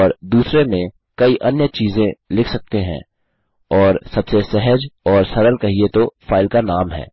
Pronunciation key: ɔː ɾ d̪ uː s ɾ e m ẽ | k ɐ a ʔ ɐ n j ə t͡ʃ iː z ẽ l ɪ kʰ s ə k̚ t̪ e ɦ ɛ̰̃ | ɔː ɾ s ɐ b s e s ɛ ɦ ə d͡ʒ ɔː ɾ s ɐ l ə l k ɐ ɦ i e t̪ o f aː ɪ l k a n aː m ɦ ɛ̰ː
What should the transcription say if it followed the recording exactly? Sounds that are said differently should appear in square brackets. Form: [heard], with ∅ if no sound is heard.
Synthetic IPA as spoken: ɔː ɾ d̪ uː s ɾ e m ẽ | k ɐ [i] ʔ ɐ n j ə t͡ʃ iː z ẽ l ɪ kʰ s [ɐ] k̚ t̪ e ɦ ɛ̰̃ | ɔː ɾ s ɐ b s e s ɛ ɦ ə d͡ʒ ɔː ɾ s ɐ [ɾ] ə l k ɐ ɦ i e t̪ o f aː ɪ l k a n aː m ɦ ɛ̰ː